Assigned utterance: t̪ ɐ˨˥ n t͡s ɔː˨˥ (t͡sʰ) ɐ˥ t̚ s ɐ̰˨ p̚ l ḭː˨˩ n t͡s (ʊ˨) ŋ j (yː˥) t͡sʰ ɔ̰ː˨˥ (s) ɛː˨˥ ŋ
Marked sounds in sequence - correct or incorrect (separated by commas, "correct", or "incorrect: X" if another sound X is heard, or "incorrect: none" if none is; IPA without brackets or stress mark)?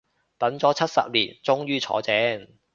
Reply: correct, incorrect: ʊ˥, correct, incorrect: t͡s